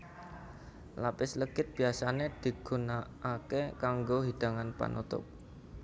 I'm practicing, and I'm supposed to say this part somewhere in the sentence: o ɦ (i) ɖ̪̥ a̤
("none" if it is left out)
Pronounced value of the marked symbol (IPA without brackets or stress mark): i